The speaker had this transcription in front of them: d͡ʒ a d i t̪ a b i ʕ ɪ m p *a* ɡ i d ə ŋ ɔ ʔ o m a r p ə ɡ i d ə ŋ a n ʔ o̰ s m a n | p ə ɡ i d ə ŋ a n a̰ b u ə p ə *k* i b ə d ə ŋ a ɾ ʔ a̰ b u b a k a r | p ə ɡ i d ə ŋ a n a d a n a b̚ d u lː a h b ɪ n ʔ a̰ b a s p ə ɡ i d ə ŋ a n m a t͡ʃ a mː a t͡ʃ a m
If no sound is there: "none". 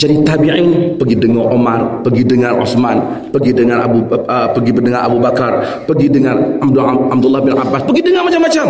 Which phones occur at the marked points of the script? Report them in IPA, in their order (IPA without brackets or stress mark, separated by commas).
ə, ɡ